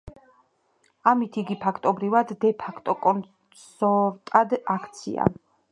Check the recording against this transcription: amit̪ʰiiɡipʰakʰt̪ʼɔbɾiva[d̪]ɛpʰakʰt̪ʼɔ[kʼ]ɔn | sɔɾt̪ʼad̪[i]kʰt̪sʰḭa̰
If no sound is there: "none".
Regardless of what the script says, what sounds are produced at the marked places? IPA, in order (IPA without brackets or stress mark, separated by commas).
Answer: d̪ː, kʼ, a